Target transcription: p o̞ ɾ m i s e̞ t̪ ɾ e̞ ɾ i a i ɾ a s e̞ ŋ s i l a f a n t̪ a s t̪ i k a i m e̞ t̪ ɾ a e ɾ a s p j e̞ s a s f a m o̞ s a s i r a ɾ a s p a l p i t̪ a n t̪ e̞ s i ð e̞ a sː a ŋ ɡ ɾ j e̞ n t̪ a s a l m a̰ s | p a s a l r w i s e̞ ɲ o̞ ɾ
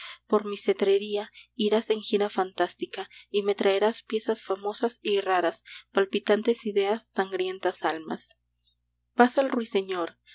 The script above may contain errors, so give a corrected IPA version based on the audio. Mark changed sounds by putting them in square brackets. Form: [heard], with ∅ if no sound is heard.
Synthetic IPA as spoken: p o̞ ɾ m i s e̞ t̪ ɾ e̞ ɾ i a i ɾ a s e̞ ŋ [x] i [ɾ] a f a n t̪ a s t̪ i k a i m e̞ t̪ ɾ a e ɾ a s p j e̞ s a s f a m o̞ s a s i r a ɾ a s p a l p i t̪ a n t̪ e̞ s i ð e̞ a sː a ŋ ɡ ɾ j e̞ n t̪ a s a l m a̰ s | p a s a l r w i s e̞ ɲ o̞ ɾ